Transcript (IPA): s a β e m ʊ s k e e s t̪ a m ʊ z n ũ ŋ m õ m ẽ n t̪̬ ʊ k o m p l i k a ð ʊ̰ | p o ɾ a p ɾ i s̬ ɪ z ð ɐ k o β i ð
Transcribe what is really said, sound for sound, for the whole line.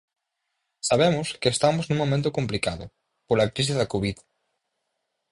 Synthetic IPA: s a β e m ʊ s k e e s t̪ a m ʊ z n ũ ŋ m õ m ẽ n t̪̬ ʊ k o m p l i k a ð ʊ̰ | p o l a k ɾ i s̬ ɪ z ð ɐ k o β i ð